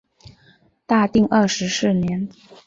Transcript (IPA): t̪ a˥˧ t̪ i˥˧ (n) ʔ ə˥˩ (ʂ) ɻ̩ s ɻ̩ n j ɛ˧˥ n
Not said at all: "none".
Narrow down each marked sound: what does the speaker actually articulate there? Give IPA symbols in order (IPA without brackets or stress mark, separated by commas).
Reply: ŋ, ʂ